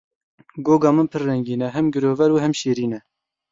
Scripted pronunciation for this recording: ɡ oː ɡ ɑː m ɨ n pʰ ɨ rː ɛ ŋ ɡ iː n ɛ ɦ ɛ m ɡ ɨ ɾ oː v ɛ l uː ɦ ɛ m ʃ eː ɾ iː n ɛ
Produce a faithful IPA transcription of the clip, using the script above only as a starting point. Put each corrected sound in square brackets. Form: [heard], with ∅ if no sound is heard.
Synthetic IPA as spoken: ɡ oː ɡ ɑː m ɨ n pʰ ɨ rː ɛ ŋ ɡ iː n ɛ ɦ ɛ m ɡ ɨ ɾ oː v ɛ [ɾ] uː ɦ ɛ m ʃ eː ɾ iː n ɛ